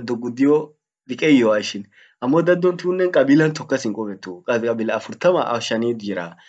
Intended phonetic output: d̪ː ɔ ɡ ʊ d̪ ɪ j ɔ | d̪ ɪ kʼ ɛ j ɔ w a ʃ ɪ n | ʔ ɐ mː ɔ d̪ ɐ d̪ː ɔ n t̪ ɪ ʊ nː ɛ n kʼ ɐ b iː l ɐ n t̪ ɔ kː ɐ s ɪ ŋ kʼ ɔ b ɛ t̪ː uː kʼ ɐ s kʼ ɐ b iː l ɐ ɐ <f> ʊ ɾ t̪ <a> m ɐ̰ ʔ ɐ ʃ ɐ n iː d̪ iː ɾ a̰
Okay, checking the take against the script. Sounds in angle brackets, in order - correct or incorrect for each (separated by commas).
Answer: correct, incorrect